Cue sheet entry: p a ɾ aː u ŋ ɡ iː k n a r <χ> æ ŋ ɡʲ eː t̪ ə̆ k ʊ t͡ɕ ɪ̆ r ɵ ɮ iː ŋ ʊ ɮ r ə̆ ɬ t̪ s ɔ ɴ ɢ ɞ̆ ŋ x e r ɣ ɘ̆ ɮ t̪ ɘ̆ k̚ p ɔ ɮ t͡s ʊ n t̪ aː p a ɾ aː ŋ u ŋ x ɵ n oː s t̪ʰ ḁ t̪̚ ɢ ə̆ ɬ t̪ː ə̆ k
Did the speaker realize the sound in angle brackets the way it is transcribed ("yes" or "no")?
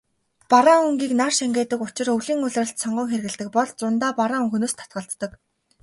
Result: no